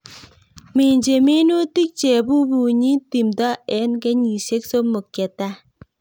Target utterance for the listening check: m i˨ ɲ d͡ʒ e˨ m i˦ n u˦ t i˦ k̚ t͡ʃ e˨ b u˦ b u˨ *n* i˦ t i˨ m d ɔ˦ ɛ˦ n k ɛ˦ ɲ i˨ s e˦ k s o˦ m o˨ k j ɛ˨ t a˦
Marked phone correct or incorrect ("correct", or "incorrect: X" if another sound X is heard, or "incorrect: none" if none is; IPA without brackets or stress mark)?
incorrect: ɲ